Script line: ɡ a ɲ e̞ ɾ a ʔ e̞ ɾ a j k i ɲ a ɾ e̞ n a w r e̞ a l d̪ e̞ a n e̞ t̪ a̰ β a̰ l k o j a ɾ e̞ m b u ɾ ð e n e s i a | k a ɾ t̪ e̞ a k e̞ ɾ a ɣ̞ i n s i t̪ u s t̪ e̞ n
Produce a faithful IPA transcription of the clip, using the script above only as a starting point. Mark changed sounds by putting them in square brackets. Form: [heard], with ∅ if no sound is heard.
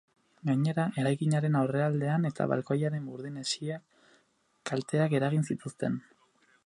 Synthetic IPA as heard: ɡ a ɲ e̞ ɾ a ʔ e̞ ɾ a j k i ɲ a ɾ e̞ n a w r e̞ a l d̪ e̞ a n e̞ t̪ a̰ β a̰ l k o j a ɾ e̞ m b u ɾ ð [i] n e s i a | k a [l] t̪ e̞ a k e̞ ɾ a ɣ̞ i n s i t̪ u s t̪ e̞ n

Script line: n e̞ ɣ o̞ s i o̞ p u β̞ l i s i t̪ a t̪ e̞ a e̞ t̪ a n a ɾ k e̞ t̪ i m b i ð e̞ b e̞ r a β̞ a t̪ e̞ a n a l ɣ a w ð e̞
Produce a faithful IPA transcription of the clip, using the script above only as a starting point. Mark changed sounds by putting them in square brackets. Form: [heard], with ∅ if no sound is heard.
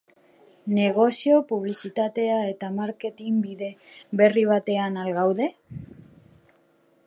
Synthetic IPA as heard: n e̞ ɣ o̞ s i o̞ p u β̞ l i s i t̪ a t̪ e̞ a e̞ t̪ a [m] a ɾ k e̞ t̪ i m b i ð e̞ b e̞ r [i] β̞ a t̪ e̞ a n a l ɣ a w ð e̞

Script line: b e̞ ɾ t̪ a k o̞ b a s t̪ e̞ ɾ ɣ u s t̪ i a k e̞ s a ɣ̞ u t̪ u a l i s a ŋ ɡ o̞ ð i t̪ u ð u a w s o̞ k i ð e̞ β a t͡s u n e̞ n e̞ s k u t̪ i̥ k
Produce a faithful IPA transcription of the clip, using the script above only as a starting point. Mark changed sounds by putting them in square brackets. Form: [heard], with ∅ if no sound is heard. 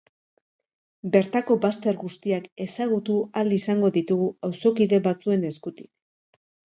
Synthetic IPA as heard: b e̞ ɾ t̪ a k o̞ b a s t̪ e̞ ɾ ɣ u s t̪ i a k e̞ s a ɣ̞ u t̪ u a l i s a ŋ ɡ o̞ ð i t̪ u [ɣ] u a w s o̞ k i ð e̞ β a t͡s u [∅] e̞ n e̞ s k u t̪ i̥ k

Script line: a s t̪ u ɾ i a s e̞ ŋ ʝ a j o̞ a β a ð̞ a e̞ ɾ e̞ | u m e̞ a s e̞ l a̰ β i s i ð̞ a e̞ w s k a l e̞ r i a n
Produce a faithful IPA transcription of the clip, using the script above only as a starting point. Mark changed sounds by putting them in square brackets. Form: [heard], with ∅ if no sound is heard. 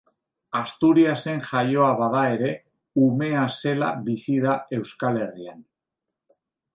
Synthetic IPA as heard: a s t̪ u ɾ i a s e̞ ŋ ʝ a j o̞ a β a ð̞ a e̞ ɾ e̞ | u m e̞ a s e̞ l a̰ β i s i ð̞ a e̞ w s k a l e̞ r i a n

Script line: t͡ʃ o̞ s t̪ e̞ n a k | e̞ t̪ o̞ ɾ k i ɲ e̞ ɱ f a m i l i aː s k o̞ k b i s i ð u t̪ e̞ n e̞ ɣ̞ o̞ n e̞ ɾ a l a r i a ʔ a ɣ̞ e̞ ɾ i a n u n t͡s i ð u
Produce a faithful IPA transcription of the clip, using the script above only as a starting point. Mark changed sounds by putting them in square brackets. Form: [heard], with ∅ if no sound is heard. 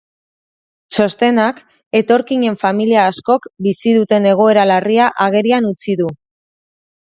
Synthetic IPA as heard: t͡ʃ o̞ s t̪ e̞ n a k | e̞ t̪ o̞ ɾ k i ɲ e̞ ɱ f a m i l i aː s k o̞ k b i s i ð u t̪ e̞ n e̞ ɣ̞ o̞ [∅] e̞ ɾ a l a r i a ʔ a ɣ̞ e̞ ɾ i a n u [∅] t͡s i ð u

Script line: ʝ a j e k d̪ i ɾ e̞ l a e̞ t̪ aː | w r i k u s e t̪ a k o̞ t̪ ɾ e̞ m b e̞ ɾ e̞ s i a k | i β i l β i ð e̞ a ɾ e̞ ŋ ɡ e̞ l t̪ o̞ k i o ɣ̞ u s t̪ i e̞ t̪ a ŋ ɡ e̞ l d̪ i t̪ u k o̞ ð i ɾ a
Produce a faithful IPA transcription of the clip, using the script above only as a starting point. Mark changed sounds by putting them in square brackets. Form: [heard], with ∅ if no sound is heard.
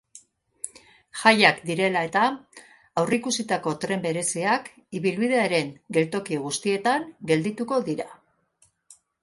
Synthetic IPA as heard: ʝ a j [a] k d̪ i ɾ e̞ l a e̞ t̪ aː | w r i k u s [i] t̪ a k o̞ t̪ ɾ e̞ m b e̞ ɾ e̞ s i a k | i β i l β i ð e̞ a ɾ e̞ ŋ ɡ e̞ l t̪ o̞ k i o ɣ̞ u s t̪ i e̞ t̪ a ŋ ɡ e̞ l d̪ i t̪ u k o̞ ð i ɾ a

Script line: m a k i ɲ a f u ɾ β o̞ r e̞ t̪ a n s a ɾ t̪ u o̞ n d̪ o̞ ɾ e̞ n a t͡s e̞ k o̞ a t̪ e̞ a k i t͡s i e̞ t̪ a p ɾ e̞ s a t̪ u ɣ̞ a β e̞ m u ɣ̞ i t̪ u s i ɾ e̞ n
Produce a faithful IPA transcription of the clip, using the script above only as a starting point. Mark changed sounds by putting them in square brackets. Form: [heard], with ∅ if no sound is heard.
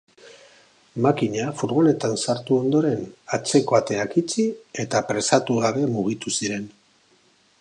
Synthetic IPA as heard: m a k i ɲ a f u ɾ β o̞ [l] e̞ t̪ a n s a ɾ t̪ u o̞ n d̪ o̞ ɾ e̞ n a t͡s e̞ k o̞ a t̪ e̞ a k i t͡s i e̞ t̪ a p ɾ e̞ s a t̪ u ɣ̞ a β e̞ m u ɣ̞ i t̪ u s i ɾ e̞ n

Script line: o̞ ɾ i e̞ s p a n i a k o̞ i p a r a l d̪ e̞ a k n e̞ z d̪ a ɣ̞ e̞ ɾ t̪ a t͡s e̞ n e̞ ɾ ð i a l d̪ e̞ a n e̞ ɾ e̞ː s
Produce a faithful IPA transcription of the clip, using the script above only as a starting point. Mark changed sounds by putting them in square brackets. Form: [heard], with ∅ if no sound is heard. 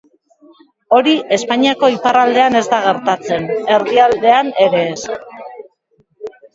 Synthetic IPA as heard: o̞ ɾ i e̞ s p a [ɲ] i a k o̞ i p a r a l d̪ e̞ a [∅] n e̞ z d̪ a ɣ̞ e̞ ɾ t̪ a t͡s e̞ n e̞ ɾ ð i a l d̪ e̞ a n e̞ ɾ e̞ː s

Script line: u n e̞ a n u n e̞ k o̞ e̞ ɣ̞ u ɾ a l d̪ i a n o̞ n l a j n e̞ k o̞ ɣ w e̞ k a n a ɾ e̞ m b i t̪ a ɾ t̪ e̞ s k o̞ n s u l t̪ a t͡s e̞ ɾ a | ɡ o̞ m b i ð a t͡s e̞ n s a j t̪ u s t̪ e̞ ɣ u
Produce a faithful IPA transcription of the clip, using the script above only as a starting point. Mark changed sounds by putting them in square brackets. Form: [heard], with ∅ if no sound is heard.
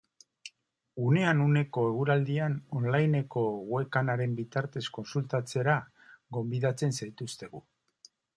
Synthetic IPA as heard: u n e̞ a n u n e̞ k o̞ e̞ ɣ̞ u ɾ a l d̪ i a n o̞ n l a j n e̞ k o̞ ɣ w e̞ k a n a ɾ e̞ m b i t̪ a ɾ t̪ e̞ s k o̞ n s u l t̪ a t͡s e̞ ɾ a | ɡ o̞ m b i ð a t͡s e̞ n s a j t̪ u s t̪ e̞ ɣ u

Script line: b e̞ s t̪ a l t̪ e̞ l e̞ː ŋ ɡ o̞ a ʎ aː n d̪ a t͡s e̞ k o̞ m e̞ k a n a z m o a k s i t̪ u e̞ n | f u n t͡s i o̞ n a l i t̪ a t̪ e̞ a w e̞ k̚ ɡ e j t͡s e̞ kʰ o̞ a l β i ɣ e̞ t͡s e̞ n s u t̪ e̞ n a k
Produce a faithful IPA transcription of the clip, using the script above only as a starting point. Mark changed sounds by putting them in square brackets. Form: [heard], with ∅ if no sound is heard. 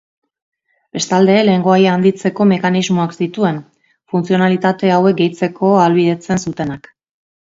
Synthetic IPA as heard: b e̞ s t̪ a l [d̪] e̞ l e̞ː ŋ ɡ o̞ a [j] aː n d̪ [i] t͡s e̞ k o̞ m e̞ k a n [i] z m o a k s i t̪ u e̞ n | f u n t͡s i o̞ n a l i t̪ a t̪ e̞ a w e̞ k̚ ɡ e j t͡s e̞ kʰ o̞ a l β i [ð] e̞ t͡s e̞ n s u t̪ e̞ n a k

